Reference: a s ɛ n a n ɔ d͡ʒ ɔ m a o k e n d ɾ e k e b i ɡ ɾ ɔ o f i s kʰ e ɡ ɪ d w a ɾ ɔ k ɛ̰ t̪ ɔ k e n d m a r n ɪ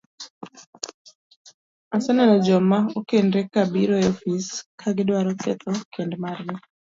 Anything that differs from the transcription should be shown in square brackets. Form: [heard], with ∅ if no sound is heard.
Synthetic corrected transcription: a s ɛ n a n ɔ d͡ʒ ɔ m a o k e n d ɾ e k [a] b i [∅] ɾ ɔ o f i s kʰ [a] ɡ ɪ d w a ɾ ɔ k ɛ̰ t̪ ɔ k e n d m a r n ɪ